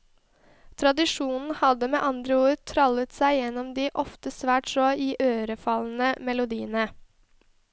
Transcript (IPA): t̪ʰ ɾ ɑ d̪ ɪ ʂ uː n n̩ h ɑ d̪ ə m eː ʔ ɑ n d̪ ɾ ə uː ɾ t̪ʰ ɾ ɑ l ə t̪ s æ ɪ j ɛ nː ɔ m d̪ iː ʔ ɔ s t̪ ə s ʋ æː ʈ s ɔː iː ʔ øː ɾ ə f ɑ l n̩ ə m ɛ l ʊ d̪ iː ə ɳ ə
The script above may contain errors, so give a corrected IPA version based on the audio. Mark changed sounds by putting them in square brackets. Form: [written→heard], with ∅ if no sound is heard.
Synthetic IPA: t̪ʰ ɾ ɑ d̪ ɪ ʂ uː n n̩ h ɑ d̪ ə m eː ʔ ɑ n d̪ ɾ ə uː ɾ t̪ʰ ɾ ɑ l ə t̪ s æ ɪ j ɛ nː ɔ m d̪ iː ʔ ɔ [s→f] t̪ ə s ʋ æː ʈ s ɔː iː ʔ øː ɾ ə f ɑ l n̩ ə m ɛ l ʊ d̪ iː ə [ɳ→n] ə